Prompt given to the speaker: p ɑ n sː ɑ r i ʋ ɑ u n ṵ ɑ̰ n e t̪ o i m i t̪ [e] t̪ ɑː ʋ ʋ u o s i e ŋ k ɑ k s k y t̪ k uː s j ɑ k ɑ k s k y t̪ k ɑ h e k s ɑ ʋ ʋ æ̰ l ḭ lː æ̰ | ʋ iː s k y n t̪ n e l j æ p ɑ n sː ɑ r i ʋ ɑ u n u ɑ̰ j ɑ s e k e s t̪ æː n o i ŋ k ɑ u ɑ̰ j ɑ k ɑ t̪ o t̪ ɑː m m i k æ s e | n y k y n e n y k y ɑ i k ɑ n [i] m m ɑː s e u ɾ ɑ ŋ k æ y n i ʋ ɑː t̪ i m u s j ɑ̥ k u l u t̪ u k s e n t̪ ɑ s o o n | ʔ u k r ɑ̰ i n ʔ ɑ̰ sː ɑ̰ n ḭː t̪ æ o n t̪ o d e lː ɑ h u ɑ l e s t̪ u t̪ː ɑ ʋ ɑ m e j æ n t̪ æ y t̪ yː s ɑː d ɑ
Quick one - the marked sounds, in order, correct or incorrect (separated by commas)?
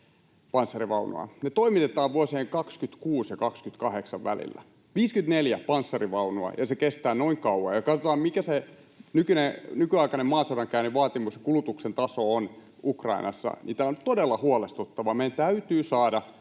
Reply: correct, incorrect